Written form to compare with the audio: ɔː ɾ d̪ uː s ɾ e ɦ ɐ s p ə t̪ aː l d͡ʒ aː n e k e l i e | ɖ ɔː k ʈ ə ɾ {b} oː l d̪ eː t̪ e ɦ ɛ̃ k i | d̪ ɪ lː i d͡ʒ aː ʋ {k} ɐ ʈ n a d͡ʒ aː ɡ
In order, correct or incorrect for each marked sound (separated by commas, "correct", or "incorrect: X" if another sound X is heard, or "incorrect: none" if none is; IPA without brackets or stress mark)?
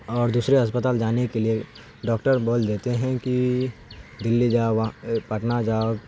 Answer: correct, incorrect: p